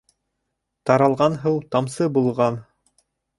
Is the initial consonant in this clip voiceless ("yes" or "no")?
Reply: yes